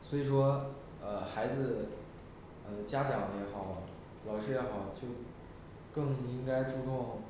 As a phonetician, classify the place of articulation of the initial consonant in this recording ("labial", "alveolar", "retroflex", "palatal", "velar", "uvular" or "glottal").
alveolar